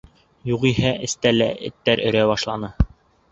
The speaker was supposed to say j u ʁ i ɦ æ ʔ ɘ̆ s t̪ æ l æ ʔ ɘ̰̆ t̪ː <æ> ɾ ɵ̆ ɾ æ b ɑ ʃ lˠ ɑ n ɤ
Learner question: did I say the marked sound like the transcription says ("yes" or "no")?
yes